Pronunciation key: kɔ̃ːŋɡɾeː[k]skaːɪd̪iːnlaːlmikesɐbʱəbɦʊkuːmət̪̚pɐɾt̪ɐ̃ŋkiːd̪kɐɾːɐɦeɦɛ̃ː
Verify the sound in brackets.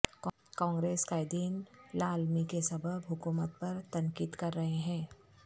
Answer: incorrect: none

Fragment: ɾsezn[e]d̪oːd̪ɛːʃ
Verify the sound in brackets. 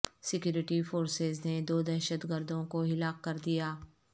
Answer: correct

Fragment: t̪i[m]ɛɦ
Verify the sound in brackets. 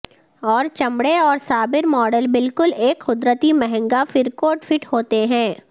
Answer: correct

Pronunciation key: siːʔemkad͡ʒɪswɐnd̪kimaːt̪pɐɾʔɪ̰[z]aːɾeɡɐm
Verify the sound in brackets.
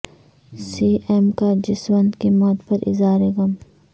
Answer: correct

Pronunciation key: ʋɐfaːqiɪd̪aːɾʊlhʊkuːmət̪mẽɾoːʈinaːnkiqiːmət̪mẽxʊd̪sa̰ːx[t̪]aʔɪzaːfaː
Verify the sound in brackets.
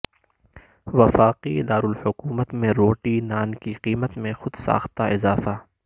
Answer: correct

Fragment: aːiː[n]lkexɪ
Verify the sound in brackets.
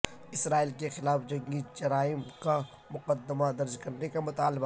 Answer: incorrect: none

